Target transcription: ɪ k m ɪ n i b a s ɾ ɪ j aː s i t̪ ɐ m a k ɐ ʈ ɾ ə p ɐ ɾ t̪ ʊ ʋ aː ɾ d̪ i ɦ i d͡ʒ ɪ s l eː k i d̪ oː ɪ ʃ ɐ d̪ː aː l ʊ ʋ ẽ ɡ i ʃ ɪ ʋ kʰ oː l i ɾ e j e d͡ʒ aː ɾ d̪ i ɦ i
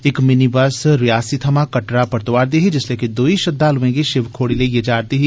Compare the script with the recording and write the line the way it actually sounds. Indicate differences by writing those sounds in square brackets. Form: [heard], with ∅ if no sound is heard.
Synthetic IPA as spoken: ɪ k m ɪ n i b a s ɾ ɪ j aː s i [t̪ʰ] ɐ m a k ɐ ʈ ɾ [a] p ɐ ɾ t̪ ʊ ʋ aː ɾ d̪ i ɦ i d͡ʒ ɪ s l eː k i d̪ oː [i] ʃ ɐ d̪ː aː l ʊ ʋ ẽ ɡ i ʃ ɪ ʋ kʰ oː [ɽ] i [l] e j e d͡ʒ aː ɾ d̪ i ɦ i